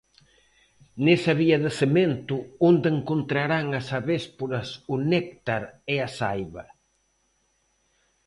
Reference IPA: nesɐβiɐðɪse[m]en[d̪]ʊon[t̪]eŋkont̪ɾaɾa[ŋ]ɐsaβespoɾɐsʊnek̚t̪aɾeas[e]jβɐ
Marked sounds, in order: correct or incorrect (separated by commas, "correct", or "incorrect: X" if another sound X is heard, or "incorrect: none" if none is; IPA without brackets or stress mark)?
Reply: correct, incorrect: t̪, incorrect: d̪, correct, incorrect: a